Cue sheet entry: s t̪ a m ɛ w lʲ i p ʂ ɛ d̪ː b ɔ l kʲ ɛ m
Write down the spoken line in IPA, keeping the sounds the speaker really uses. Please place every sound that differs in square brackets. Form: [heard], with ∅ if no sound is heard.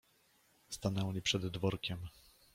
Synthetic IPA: s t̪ a [n] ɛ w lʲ i p ʂ ɛ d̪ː [v] ɔ [ɾ] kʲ ɛ m